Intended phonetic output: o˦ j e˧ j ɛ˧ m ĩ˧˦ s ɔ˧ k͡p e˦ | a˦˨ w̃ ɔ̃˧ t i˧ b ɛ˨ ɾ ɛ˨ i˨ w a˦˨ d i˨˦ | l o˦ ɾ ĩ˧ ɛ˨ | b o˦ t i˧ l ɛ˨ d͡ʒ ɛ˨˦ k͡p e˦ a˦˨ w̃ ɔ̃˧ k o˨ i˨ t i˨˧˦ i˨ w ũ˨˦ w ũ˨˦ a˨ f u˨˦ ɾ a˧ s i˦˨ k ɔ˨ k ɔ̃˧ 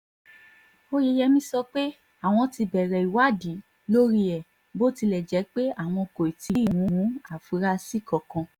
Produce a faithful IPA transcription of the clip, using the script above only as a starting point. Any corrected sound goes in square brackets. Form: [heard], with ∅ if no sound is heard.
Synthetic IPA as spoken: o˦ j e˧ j ɛ˧ m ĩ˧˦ s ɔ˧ k͡p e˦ | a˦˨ w̃ ɔ̃˧ t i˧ b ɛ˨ ɾ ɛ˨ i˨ w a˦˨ d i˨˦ | l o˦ ɾ [i˧] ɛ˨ | b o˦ t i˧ l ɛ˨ d͡ʒ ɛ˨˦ k͡p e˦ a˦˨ w̃ ɔ̃˧ k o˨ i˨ t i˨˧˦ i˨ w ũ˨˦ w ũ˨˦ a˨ f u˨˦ ɾ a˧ s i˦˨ k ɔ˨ k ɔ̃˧